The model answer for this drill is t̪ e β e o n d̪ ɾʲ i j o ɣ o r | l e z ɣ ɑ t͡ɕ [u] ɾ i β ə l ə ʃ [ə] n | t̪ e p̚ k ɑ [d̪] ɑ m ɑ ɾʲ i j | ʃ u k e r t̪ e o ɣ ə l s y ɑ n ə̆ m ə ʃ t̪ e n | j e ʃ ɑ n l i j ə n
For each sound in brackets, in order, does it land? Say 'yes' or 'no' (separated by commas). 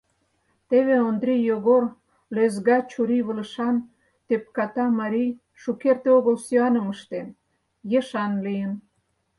yes, no, no